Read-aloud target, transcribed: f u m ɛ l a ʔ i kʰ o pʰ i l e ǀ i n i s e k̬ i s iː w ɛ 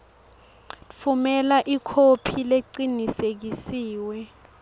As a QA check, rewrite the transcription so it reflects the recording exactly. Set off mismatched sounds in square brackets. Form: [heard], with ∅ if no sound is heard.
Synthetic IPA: f u m ɛ l a ʔ i kʰ o pʰ i l e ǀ i n i s e k̬ i s iː w ɛ